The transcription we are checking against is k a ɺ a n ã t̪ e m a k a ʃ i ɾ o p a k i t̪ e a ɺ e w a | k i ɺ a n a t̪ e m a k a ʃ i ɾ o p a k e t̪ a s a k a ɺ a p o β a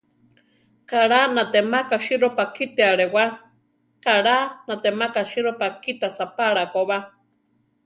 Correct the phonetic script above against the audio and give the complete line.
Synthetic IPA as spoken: k a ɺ a n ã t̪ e m a k a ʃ i ɾ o p a k i t̪ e a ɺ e w a | k a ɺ a n a t̪ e m a k a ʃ i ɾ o p a k i t̪ a s a p a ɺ a k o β a